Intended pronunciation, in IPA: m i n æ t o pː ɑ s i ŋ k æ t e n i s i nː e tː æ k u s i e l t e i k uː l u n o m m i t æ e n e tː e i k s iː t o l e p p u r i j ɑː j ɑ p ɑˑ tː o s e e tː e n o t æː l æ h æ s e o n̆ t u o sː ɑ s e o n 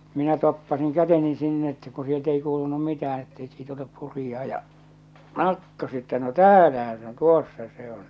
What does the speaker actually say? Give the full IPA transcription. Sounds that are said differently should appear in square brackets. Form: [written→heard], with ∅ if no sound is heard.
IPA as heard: m i n æ t o pː ɑ s i ŋ k æ t e n i s i nː e tː æ k u s i e l t e i k uː l u n [o→u] m m i t æ [e→æ] n e tː e i k s iː t o l e p p u r i j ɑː j ɑ [p→k] ɑˑ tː o s e e tː [e→æ] n o t æː l æ h æ s e o n̆ t u o sː ɑ s e o n